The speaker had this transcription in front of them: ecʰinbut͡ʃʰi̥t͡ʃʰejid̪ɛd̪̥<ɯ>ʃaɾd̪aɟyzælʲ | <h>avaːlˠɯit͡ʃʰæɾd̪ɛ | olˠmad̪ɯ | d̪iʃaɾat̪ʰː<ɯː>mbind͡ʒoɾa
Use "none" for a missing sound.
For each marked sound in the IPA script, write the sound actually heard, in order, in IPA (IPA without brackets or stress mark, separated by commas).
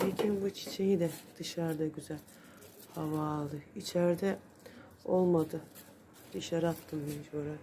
ɯ, h, ɯ